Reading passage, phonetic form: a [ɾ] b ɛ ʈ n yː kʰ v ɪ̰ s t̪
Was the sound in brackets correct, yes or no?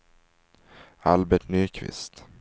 no